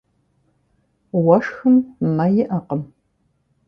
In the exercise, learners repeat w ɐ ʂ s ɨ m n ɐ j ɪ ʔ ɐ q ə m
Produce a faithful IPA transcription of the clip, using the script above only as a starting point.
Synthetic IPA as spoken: w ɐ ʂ x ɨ m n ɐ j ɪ ʔ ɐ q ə m